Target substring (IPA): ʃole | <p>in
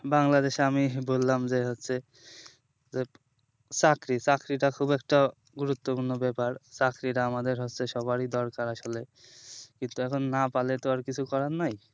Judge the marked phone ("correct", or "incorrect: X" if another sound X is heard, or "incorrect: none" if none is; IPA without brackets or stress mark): incorrect: k